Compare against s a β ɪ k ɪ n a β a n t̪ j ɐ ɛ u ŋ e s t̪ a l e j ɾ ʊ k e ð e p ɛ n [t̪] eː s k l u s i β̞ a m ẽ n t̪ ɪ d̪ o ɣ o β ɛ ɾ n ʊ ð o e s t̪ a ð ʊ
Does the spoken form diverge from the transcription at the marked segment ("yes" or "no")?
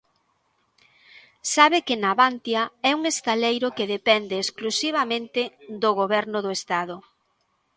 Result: yes